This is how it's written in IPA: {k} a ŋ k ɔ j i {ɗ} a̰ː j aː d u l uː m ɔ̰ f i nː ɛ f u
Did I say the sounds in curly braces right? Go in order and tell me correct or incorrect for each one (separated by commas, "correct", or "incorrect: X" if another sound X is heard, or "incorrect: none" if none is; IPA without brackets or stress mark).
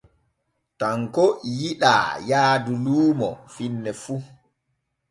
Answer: incorrect: t, correct